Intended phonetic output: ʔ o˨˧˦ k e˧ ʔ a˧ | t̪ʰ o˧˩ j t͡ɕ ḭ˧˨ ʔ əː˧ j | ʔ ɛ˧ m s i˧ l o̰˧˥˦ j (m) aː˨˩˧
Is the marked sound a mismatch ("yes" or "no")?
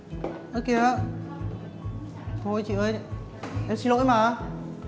no